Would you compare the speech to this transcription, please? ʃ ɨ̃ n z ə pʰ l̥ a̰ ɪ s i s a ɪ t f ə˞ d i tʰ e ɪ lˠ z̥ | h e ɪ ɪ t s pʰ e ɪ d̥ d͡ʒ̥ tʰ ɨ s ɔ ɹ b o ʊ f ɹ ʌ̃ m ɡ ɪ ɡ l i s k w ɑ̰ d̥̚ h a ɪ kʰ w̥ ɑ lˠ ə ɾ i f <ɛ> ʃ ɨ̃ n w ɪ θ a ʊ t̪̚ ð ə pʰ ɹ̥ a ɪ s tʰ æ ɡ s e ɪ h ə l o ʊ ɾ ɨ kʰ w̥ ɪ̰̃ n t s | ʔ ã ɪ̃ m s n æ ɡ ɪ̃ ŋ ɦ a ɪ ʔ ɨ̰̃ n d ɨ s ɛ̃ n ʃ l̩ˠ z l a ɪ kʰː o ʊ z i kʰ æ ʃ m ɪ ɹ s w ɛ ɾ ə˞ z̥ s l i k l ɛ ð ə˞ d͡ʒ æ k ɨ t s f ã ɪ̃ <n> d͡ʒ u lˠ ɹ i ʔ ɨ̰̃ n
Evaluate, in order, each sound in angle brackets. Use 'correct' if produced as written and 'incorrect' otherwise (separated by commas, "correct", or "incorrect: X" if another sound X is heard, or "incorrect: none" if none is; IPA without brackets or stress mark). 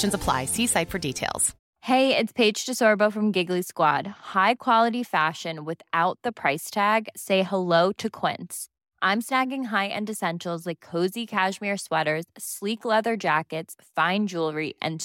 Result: incorrect: æ, correct